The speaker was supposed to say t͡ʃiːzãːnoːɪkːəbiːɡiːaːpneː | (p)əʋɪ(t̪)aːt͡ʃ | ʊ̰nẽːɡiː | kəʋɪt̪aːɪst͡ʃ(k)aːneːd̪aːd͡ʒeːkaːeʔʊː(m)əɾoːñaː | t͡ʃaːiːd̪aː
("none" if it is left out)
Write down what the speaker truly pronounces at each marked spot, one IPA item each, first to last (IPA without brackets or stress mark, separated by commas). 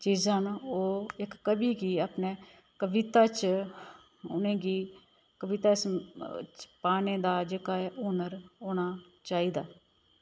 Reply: k, t̪, p, n